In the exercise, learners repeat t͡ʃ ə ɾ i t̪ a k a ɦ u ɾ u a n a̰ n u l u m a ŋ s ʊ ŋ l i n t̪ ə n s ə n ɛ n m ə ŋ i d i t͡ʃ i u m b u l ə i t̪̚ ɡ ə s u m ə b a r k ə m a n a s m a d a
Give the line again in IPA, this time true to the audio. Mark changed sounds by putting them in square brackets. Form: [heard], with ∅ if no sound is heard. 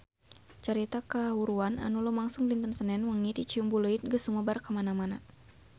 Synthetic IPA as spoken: t͡ʃ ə ɾ i t̪ a k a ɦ u ɾ u a n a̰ n u l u m a ŋ s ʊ ŋ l i n t̪ ə n s ə n ɛ n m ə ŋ i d i t͡ʃ i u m b u l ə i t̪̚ ɡ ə s u m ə b a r k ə m a n a [∅] m a [n] a